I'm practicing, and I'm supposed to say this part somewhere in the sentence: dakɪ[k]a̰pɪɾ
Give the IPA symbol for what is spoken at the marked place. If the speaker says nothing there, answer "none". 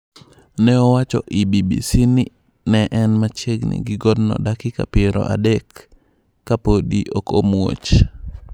k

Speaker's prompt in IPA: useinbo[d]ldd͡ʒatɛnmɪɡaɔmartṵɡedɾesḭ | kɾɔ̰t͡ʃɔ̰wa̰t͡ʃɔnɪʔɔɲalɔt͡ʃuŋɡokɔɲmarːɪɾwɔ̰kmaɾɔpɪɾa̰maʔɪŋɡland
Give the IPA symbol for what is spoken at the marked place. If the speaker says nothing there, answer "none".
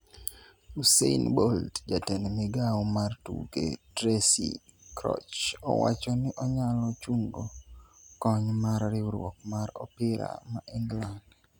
none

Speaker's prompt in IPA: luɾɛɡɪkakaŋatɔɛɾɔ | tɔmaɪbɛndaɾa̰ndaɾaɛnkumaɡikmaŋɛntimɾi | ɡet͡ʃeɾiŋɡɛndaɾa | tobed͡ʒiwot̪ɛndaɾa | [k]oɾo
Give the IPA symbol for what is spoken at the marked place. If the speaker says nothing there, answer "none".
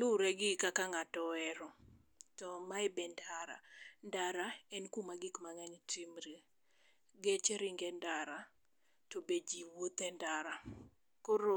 k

